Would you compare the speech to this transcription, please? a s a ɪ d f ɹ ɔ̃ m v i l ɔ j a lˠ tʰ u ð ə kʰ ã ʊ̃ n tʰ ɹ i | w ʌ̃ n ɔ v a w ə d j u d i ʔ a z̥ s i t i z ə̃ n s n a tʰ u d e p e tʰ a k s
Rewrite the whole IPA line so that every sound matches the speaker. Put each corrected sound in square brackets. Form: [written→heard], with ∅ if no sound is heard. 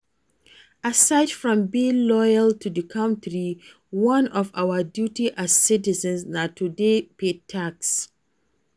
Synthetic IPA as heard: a s a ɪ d f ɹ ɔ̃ m [v→b] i l ɔ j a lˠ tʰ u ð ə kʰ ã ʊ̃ n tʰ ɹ i | w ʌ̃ n ɔ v a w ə d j u [d→t] i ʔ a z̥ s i t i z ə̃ n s n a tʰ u d e p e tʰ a k s